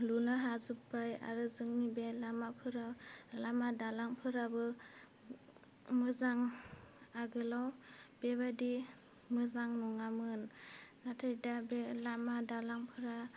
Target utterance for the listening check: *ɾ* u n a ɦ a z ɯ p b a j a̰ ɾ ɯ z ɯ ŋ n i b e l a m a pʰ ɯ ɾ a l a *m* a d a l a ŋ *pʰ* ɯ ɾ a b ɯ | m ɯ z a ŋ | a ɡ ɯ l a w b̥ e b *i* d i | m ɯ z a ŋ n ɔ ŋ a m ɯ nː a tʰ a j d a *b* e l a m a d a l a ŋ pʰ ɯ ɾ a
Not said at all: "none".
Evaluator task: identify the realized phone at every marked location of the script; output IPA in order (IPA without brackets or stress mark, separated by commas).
l, m, pʰ, a, b